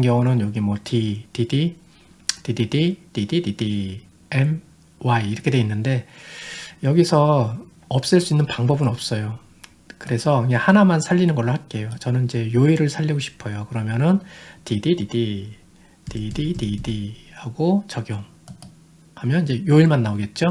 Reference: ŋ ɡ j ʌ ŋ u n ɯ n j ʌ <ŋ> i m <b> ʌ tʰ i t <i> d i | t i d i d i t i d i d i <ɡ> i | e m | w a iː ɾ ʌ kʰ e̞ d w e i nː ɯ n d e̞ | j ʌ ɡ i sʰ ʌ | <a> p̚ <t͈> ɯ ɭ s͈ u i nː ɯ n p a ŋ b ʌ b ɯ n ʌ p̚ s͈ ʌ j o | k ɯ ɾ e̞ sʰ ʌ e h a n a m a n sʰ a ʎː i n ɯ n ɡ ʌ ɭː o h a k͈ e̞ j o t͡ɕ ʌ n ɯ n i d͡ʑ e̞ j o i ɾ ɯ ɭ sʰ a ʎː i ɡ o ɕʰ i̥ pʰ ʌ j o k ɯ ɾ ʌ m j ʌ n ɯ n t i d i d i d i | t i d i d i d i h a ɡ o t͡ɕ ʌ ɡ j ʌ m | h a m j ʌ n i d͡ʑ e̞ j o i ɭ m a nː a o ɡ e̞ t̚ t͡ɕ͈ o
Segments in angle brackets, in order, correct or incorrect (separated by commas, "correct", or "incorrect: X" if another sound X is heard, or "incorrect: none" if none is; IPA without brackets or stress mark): incorrect: ɡ, incorrect: w, correct, incorrect: d, incorrect: ʌ, incorrect: s͈